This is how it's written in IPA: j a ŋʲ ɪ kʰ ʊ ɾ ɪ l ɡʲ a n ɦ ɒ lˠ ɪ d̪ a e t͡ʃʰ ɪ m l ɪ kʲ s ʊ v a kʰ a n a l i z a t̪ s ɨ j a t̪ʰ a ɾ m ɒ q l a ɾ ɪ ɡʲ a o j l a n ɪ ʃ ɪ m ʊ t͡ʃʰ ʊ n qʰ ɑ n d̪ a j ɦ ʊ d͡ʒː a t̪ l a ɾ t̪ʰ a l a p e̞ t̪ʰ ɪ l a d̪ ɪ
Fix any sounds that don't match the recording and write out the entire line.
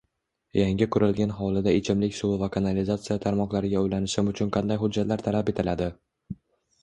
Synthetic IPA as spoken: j a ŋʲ ɪ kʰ ʊ ɾ ɪ l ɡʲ a n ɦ ɒ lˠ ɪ d̪ a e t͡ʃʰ ɪ m l ɪ kʲ s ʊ v a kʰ a n a l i z a t̪ s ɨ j a t̪ʰ a ɾ m ɒ q l a ɾ ɪ ɡʲ a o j l a n ɪ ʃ ɪ m ʊ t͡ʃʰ ʊ n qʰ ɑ n d̪ a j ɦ ʊ d͡ʒː a t̪ l a ɾ t̪ʰ a l a p e̞ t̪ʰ ɪ l a d̪ ɪ

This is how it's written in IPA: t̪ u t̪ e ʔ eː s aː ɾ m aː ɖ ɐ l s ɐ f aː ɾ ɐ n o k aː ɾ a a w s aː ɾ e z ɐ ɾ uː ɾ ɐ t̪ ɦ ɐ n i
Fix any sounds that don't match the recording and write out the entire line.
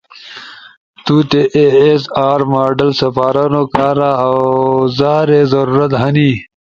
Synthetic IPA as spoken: t̪ u t̪ e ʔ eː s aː ɾ m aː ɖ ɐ l s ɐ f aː ɾ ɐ n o k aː ɾ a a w z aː ɾ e z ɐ ɾ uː ɾ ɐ t̪ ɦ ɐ n i

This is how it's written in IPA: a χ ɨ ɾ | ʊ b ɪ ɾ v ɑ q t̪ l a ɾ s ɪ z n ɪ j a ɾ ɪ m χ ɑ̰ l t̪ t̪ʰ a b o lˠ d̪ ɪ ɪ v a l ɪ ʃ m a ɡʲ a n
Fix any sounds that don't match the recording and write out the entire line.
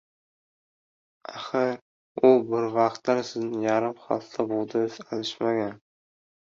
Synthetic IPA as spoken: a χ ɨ ɾ | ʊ b ɪ ɾ v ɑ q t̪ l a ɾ s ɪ z n ɪ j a ɾ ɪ m χ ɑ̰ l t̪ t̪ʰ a b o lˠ d̪ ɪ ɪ z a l ɪ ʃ m a ɡʲ a n

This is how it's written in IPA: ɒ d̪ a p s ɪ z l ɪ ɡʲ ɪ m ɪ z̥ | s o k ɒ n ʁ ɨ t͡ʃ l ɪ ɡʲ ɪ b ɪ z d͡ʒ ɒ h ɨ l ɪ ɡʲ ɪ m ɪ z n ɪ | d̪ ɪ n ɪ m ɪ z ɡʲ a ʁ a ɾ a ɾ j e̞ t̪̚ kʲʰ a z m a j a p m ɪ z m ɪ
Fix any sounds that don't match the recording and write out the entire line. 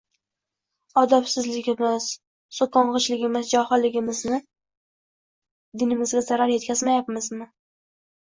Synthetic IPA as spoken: ɒ d̪ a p s ɪ z l ɪ ɡʲ ɪ m ɪ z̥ | s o k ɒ ɴ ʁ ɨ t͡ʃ l ɪ ɡʲ ɪ m ɪ z d͡ʒ ɒ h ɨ l ɪ ɡʲ ɪ m ɪ z n ɪ | d̪ ɪ n ɪ m ɪ z ɡʲ a z a ɾ a ɾ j e̞ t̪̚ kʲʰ a z m a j a p m ɪ z m ɪ

